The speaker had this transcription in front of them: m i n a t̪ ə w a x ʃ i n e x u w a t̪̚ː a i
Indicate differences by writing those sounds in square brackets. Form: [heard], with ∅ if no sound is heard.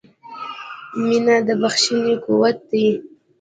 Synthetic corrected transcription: m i n a [d̪] ə [b] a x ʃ i n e [k] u w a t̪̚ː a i